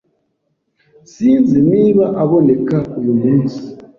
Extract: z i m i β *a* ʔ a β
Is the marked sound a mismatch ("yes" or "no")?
no